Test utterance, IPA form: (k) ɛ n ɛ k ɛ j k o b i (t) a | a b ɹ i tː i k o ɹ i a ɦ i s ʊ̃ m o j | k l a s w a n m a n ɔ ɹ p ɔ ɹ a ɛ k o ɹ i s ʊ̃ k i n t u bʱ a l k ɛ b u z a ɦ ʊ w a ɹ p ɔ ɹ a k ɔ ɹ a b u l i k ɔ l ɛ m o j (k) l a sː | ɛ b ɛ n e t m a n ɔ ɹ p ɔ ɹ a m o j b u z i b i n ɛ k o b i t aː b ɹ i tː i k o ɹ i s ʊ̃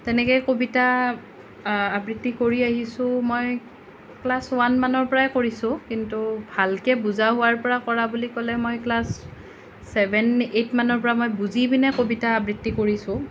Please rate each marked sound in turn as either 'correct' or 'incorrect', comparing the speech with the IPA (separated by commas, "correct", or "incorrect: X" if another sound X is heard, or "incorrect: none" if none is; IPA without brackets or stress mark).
incorrect: t, correct, correct